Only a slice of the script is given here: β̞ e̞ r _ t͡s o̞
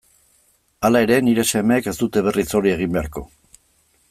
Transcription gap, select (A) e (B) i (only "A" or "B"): B